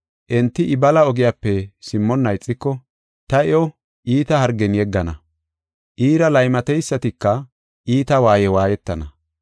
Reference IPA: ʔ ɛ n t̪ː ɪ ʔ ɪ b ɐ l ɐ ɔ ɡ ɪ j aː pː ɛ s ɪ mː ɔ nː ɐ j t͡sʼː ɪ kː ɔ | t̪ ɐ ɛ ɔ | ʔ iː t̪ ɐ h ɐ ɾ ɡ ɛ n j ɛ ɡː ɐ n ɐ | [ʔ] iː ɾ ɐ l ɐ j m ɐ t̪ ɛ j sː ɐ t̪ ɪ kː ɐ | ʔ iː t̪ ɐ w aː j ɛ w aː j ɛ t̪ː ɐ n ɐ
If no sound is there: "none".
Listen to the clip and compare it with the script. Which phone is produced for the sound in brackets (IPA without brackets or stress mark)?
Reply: ʔ